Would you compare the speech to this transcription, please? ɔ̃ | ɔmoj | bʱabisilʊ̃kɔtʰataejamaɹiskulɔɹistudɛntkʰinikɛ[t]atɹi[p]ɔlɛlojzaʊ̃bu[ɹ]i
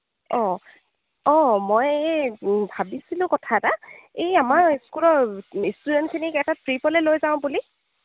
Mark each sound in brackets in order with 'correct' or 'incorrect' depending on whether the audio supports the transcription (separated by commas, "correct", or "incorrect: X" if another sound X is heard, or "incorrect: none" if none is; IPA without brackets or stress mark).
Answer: correct, correct, incorrect: l